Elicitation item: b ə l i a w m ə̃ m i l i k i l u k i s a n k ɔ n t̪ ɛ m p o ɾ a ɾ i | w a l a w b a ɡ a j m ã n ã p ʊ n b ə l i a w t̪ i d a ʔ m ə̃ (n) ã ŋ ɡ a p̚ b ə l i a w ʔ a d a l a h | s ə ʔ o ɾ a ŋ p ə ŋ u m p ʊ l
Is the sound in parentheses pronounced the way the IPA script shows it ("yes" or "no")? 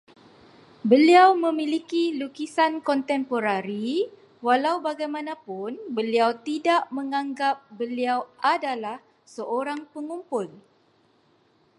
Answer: no